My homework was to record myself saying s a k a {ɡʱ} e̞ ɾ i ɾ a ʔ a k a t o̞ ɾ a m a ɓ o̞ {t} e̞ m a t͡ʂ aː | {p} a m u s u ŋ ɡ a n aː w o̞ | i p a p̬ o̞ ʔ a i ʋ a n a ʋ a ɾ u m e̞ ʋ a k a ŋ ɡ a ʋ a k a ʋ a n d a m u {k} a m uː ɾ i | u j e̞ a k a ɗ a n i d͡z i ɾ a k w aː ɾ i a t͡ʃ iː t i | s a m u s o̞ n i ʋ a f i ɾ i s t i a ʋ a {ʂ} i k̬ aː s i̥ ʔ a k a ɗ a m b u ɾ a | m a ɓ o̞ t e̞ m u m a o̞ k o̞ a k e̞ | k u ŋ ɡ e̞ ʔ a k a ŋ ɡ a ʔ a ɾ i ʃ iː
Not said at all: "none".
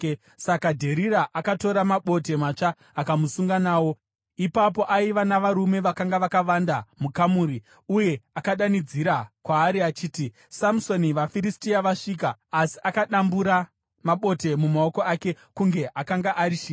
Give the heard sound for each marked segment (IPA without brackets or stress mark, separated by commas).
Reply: dʱ, t, k, k, ʂ